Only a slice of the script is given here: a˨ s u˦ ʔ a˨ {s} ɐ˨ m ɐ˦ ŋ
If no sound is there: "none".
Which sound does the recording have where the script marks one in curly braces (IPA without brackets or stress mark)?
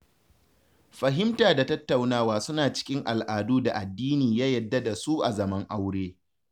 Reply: z